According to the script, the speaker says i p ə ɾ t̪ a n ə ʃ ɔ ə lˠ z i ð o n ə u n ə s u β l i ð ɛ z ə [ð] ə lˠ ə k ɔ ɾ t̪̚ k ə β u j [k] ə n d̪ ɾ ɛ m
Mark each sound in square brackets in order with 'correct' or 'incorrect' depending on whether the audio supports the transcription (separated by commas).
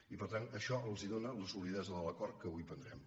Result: correct, incorrect